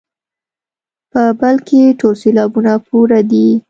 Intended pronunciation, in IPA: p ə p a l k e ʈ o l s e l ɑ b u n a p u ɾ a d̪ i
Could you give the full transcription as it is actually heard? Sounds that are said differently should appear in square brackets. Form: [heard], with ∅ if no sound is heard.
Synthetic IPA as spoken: p ə [b] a l k e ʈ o l s e l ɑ b u n a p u ɾ a d̪ i